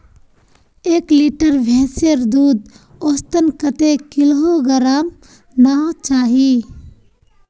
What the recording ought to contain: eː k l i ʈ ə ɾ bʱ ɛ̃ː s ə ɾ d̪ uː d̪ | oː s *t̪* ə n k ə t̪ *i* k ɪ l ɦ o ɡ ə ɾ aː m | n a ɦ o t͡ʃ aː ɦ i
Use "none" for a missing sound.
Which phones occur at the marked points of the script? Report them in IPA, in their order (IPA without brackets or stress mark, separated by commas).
t̪, e